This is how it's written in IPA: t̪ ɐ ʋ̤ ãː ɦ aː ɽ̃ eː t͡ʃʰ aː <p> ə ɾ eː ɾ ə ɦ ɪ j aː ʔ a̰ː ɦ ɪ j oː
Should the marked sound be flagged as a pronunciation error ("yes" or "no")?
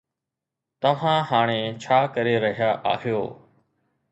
yes